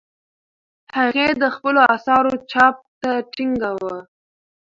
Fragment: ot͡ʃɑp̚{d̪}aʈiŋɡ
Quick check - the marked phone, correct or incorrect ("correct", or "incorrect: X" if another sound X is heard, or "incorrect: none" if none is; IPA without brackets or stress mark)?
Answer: incorrect: t̪